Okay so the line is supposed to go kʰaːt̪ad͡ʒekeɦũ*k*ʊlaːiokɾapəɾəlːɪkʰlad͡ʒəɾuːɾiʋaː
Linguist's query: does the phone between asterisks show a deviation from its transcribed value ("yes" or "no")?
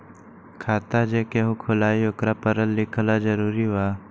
yes